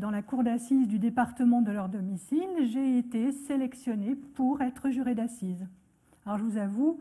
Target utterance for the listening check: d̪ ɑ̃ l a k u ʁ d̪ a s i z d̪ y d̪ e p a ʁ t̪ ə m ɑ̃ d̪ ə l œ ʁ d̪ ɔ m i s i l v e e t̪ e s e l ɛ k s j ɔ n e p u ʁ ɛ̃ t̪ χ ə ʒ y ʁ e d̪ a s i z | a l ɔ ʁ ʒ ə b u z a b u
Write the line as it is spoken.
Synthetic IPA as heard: d̪ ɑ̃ l a k u ʁ d̪ a s i z d̪ y d̪ e p a ʁ t̪ ə m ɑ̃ d̪ ə l œ ʁ d̪ ɔ m i s i l ʒ e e t̪ e s e l ɛ k s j ɔ n e p u ʁ ɛ t̪ χ ə ʒ y ʁ e d̪ a s i z | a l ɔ ʁ ʒ ə v u z a v u

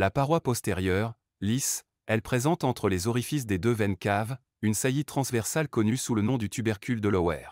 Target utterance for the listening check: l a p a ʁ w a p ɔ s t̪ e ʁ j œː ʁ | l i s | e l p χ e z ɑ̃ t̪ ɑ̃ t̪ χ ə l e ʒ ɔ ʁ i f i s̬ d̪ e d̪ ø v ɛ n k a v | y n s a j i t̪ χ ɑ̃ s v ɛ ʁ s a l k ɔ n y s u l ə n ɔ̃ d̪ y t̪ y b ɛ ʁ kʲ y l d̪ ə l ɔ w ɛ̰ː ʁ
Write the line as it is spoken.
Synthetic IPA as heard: l a p a ʁ w a p ɔ s t̪ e ʁ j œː ʁ | l i s | ɛ l p χ e z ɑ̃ t̪ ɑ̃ t̪ χ ə l e z ɔ ʁ i f i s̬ d̪ e d̪ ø v ɛ n k a v | y n s a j i t̪ χ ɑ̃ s v ɛ ʁ s a l k ɔ n y s u l ə n ɔ̃ d̪ y t̪ y b ɛ ʁ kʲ y l d̪ ə l ɔ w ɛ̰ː ʁ

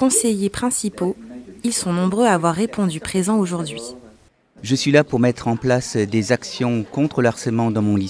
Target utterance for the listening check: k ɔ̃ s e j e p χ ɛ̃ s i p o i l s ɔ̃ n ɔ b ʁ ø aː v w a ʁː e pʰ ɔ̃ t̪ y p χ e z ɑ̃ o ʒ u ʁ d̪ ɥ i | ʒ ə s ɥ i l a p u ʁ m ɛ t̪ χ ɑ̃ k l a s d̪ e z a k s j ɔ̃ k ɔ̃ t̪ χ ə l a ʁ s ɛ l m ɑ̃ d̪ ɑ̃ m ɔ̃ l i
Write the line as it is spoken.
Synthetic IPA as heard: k ɔ̃ s e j e p χ ɛ̃ s i p o i l s ɔ̃ n ɔ̃ b ʁ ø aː v w a ʁː e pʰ ɔ̃ d̪ y p χ e z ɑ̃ o ʒ u ʁ d̪ ɥ i | ʒ ə s ɥ i l a p u ʁ m ɛ t̪ χ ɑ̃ p l a s d̪ e z a k s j ɔ̃ k ɔ̃ t̪ χ ə l a ʁ s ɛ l m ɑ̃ d̪ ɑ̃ m ɔ̃ l i

